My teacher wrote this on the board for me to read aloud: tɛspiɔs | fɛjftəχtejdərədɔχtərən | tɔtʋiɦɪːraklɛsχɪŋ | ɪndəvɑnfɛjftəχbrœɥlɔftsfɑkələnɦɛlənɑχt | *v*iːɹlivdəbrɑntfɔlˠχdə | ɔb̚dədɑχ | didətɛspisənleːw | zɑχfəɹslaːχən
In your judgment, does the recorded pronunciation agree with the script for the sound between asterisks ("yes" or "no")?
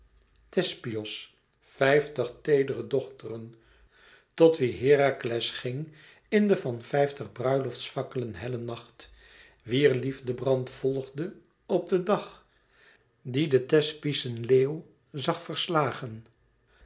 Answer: no